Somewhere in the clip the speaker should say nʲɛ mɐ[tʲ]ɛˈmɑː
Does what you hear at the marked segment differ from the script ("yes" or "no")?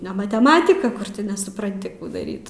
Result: no